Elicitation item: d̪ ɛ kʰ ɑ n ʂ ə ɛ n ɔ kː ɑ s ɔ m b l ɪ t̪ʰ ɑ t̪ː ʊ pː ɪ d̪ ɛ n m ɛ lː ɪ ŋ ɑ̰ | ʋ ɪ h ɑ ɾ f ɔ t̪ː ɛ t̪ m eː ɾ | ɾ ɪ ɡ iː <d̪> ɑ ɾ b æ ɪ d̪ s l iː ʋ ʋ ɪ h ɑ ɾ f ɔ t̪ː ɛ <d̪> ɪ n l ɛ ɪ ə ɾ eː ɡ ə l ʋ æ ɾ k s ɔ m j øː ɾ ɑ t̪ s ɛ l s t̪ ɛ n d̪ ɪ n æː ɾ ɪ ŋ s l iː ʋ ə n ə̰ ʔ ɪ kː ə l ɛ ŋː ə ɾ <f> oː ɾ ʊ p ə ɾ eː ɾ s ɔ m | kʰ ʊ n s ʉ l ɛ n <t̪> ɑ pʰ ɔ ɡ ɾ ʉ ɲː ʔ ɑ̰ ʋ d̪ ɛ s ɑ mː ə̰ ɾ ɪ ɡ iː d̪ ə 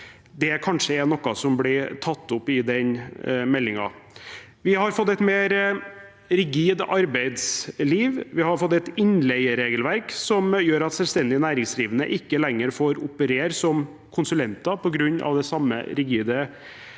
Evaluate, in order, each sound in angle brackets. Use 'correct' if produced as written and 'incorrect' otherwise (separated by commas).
correct, incorrect, correct, correct